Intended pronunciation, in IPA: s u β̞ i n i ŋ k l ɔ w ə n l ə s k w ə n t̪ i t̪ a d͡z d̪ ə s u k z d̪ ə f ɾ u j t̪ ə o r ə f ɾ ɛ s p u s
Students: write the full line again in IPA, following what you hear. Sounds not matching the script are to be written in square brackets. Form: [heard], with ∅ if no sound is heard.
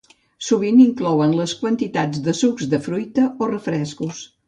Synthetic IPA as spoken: s u β̞ i n i ŋ k l ɔ w ə n l ə s k w ə n t̪ i t̪ a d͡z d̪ ə s u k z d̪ ə f ɾ u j t̪ ə o r ə f ɾ ɛ s [k] u s